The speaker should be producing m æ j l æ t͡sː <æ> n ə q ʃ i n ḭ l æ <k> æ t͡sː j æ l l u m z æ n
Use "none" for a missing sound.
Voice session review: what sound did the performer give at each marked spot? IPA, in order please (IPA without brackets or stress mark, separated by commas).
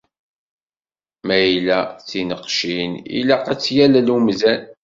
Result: i, q